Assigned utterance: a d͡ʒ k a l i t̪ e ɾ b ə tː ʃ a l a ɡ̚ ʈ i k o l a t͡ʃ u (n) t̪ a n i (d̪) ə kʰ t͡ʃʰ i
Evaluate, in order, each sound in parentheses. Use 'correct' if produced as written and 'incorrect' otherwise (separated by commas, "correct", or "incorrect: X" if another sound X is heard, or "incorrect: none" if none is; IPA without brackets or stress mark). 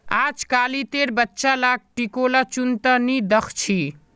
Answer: correct, correct